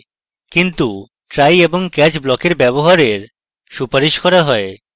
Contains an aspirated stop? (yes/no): no